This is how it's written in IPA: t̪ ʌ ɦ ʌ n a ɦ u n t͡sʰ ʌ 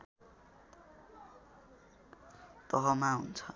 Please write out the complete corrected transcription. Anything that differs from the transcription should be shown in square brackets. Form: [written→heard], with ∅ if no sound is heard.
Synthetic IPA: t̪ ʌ ɦ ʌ [n→m] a ɦ u n t͡sʰ ʌ